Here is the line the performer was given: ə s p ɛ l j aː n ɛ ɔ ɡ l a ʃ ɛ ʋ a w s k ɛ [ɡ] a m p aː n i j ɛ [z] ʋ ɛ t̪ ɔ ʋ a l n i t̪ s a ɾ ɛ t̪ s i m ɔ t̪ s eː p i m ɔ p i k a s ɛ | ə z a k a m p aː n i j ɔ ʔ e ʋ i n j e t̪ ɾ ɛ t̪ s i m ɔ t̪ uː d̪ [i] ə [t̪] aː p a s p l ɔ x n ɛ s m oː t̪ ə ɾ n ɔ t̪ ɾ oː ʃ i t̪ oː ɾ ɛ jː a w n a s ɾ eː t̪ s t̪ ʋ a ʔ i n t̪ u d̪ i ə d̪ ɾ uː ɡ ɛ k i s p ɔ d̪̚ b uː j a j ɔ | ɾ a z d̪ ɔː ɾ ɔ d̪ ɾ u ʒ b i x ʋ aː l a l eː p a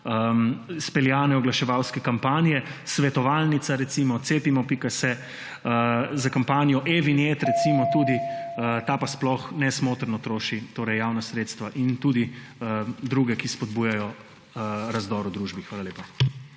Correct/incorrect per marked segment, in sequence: incorrect: k, incorrect: s, correct, correct

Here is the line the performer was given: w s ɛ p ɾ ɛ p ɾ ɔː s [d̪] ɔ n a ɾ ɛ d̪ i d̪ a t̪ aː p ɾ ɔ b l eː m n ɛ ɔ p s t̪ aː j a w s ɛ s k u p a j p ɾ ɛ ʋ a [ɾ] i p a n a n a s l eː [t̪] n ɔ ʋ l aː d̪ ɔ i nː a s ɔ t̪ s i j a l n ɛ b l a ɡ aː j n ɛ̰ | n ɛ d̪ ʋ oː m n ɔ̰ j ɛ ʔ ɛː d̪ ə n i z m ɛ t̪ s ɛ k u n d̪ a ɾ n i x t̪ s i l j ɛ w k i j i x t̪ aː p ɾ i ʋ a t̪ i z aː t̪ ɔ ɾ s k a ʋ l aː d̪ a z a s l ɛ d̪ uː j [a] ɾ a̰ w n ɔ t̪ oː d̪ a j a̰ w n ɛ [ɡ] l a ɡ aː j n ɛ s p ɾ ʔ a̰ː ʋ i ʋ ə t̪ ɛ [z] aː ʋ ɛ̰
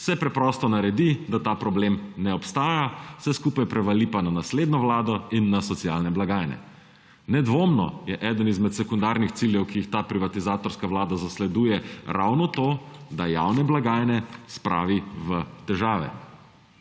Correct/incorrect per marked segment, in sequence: incorrect: t̪, incorrect: l, incorrect: d̪, incorrect: ɛ, incorrect: b, incorrect: ʒ

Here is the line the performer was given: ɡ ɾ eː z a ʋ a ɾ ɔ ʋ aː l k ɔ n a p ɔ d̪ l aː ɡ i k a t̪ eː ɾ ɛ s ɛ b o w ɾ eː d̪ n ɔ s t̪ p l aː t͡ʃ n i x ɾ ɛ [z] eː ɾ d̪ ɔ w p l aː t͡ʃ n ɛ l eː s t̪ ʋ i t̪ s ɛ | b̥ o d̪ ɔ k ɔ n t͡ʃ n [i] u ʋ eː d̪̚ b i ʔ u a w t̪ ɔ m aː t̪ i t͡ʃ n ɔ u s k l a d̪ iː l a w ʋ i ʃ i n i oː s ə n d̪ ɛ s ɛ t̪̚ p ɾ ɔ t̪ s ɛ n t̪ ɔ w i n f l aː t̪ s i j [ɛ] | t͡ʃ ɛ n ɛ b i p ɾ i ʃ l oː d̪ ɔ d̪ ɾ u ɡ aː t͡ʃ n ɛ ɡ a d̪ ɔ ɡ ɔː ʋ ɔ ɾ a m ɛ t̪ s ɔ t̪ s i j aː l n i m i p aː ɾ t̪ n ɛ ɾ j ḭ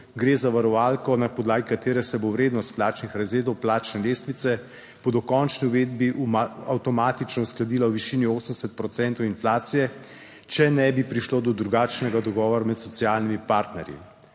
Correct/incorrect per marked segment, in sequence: correct, correct, correct

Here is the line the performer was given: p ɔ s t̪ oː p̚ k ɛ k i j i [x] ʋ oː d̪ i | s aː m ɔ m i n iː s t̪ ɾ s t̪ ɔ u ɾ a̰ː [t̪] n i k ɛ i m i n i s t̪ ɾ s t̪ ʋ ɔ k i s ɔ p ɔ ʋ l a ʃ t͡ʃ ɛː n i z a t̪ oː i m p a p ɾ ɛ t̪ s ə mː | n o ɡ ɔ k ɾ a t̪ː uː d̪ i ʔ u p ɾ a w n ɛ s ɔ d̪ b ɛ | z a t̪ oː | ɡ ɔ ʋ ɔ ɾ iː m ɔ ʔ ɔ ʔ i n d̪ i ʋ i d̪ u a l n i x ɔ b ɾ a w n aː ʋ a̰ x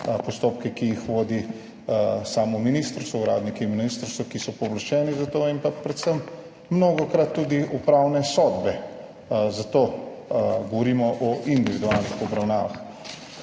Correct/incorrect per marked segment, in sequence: correct, incorrect: d̪

